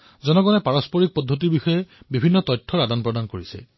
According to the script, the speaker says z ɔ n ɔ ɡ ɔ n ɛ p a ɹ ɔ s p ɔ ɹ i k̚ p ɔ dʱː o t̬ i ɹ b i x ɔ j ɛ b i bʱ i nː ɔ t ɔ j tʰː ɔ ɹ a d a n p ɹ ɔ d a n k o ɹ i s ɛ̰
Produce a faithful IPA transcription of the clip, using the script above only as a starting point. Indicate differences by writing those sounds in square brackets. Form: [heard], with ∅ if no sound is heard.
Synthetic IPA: z ɔ n ɔ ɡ ɔ n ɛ p a ɹ ɔ s p ɔ ɹ i k̚ p ɔ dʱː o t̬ i ɹ b i x ɔ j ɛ b i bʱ i nː ɔ t ɔ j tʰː ɔ ɹ a d a n p ɹ ɔ d a n k o ɹ i s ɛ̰